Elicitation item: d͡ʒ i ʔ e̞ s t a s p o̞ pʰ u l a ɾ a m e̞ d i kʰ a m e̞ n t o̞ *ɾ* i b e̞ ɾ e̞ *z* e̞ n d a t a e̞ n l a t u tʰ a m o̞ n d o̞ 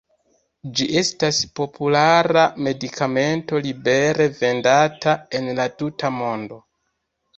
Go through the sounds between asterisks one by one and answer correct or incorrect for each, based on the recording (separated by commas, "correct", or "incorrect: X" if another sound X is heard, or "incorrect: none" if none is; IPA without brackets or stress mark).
incorrect: l, incorrect: v